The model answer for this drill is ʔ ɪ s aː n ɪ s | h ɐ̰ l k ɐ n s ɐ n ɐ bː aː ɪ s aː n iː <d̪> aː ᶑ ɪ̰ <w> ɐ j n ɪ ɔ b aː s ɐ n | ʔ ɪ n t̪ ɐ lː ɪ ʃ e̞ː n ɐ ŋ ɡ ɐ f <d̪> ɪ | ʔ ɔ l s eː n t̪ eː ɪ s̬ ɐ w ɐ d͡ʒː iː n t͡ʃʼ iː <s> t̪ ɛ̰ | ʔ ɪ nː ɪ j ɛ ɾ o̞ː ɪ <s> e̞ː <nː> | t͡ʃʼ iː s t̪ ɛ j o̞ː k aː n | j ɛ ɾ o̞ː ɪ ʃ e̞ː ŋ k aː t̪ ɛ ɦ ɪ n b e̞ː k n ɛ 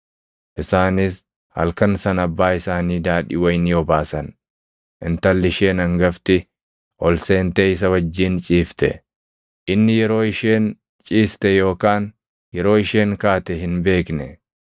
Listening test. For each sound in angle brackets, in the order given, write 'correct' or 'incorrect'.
correct, correct, incorrect: t̪, incorrect: f, incorrect: ʃ, incorrect: n

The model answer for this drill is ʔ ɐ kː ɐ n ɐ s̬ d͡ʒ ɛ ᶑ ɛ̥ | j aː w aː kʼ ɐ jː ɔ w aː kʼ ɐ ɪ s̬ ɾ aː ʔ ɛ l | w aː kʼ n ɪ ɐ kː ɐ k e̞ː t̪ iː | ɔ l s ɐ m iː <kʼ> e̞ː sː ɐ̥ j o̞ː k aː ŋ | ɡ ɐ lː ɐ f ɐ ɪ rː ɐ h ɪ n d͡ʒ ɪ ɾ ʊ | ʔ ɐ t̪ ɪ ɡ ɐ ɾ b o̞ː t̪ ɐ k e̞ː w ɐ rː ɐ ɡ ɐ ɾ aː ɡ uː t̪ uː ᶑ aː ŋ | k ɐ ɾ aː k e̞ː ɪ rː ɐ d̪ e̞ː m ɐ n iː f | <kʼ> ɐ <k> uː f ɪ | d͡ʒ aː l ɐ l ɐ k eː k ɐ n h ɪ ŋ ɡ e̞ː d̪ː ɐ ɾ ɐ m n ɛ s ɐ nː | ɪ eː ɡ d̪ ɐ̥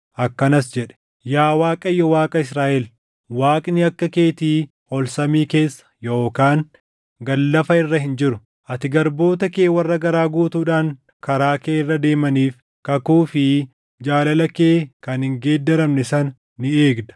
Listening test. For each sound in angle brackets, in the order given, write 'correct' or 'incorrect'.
incorrect: k, incorrect: k, correct

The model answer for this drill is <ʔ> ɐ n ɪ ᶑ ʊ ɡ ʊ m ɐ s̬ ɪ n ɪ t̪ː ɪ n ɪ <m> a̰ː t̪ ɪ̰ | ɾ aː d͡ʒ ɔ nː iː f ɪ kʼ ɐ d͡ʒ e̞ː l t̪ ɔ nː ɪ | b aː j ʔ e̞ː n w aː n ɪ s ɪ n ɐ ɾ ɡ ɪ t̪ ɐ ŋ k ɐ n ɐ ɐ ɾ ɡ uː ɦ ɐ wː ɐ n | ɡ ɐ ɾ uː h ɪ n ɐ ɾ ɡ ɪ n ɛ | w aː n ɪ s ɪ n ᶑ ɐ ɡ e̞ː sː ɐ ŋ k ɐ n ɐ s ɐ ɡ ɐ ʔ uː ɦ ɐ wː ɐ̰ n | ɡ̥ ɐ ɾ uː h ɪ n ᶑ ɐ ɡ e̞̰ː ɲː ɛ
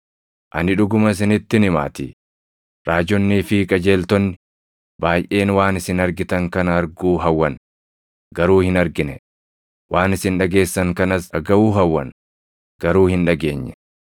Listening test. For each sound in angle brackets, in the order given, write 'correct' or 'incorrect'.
correct, correct

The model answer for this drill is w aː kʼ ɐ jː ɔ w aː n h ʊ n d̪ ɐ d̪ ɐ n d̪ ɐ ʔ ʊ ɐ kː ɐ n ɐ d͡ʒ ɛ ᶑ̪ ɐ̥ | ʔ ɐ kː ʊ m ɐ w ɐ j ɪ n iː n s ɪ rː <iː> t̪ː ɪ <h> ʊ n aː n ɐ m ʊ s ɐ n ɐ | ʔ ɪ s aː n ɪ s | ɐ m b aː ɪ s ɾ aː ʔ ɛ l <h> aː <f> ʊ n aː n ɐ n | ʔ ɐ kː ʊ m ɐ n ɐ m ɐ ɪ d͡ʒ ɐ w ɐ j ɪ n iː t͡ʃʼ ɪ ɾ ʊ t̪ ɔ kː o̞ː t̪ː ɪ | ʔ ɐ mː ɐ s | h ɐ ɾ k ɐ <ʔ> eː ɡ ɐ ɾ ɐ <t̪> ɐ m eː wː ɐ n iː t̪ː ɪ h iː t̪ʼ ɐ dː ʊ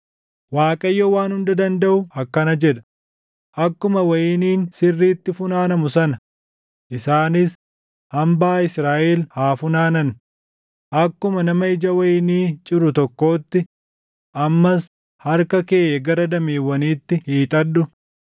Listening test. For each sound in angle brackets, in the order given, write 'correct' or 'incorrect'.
correct, incorrect: f, correct, correct, incorrect: k, incorrect: d̪

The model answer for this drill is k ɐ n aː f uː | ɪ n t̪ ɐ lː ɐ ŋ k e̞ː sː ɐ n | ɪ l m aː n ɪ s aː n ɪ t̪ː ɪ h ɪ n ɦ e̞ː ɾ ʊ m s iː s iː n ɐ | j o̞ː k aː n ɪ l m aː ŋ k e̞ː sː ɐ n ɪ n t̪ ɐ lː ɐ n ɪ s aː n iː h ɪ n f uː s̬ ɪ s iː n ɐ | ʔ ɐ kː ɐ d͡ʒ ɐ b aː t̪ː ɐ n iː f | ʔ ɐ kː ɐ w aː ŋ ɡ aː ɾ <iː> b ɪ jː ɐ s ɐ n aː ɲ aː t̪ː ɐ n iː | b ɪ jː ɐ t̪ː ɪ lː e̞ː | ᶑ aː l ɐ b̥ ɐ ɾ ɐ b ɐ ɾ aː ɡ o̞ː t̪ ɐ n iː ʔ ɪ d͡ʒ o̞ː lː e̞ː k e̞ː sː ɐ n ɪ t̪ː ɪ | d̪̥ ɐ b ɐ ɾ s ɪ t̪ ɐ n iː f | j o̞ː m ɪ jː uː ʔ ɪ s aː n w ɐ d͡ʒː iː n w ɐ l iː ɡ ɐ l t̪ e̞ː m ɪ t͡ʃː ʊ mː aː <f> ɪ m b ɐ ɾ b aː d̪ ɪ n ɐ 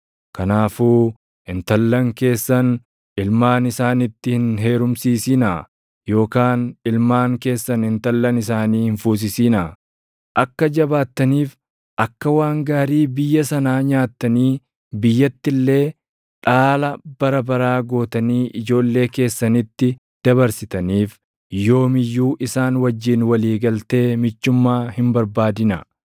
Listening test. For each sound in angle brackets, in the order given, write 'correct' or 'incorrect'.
correct, incorrect: h

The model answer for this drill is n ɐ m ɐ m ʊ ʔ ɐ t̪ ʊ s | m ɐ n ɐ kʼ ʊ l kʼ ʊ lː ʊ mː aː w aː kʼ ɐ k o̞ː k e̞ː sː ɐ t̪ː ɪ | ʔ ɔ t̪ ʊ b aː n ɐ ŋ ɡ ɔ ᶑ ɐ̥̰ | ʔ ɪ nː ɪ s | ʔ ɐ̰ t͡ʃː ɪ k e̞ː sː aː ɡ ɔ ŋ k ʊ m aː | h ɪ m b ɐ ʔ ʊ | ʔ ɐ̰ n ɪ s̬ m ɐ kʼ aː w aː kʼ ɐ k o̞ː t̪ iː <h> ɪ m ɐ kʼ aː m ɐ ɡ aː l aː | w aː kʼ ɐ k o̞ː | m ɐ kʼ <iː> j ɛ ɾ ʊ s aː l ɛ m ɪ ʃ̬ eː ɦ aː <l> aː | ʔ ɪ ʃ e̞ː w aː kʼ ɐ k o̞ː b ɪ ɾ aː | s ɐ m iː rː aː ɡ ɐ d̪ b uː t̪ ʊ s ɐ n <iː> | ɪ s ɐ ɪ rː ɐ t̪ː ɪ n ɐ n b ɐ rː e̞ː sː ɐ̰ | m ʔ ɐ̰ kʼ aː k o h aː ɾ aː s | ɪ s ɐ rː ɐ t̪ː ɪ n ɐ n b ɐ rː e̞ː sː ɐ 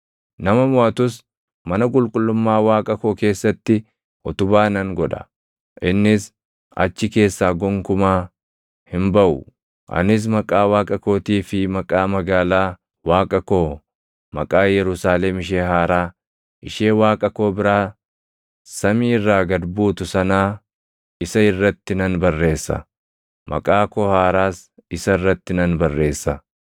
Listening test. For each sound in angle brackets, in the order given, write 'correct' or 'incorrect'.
incorrect: f, incorrect: aː, incorrect: ɾ, incorrect: aː

